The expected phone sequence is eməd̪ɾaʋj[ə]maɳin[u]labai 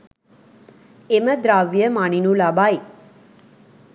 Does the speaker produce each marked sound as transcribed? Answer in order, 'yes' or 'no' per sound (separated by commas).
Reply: yes, yes